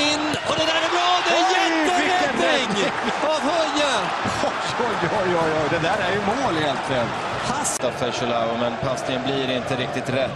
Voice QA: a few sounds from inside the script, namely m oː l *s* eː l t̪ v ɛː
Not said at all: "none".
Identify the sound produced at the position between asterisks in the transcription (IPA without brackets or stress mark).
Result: h